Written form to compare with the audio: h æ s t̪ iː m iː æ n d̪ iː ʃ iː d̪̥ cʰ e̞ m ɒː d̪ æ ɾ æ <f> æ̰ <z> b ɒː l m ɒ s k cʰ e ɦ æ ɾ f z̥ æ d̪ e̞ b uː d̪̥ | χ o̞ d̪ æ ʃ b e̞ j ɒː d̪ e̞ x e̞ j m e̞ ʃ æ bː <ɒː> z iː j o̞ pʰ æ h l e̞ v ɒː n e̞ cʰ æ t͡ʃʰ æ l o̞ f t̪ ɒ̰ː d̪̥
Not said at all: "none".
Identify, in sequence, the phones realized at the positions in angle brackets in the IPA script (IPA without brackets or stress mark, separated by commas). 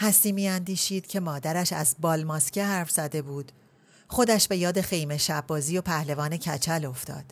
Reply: ʃ, z, ɒː